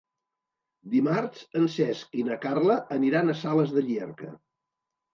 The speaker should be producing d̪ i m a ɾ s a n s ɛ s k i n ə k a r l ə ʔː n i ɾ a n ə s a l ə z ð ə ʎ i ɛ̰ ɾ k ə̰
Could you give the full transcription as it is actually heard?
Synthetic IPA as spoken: d̪ i m a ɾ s ə n s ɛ s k i n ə k a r l ə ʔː n i ɾ a n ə s a l ə z ð ə ʎ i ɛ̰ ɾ k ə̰